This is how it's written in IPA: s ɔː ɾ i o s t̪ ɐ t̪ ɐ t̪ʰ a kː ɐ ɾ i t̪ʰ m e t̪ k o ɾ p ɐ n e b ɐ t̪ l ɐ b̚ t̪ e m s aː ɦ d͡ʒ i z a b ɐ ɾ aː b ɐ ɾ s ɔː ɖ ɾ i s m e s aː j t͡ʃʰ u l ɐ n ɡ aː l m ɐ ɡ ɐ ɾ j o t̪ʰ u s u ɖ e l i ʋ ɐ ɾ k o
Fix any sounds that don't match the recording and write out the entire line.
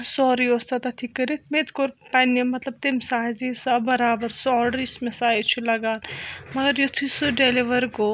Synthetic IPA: s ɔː ɾ i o s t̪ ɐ t̪ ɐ t̪ʰ i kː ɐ ɾ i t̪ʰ m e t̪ k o ɾ p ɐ n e m ɐ t̪ l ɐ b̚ t̪ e m s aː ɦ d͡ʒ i s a b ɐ ɾ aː b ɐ ɾ s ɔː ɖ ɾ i s m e s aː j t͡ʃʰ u l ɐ ɡ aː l m ɐ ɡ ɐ ɾ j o t̪ʰ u s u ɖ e l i ʋ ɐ ɾ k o